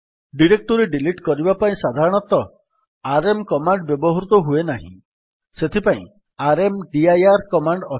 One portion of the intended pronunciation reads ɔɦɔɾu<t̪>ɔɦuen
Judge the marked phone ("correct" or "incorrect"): correct